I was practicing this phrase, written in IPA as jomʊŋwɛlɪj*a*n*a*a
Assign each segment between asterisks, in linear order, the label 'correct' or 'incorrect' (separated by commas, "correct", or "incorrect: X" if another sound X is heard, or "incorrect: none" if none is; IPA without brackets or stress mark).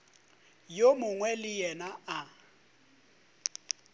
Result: incorrect: ɛ, correct